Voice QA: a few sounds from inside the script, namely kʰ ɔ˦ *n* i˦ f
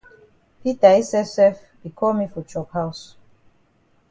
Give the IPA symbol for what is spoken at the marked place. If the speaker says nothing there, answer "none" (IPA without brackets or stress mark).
m